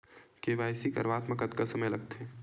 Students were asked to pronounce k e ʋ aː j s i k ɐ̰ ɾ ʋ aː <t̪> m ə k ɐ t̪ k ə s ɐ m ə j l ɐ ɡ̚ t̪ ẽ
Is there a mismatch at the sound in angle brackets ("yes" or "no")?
no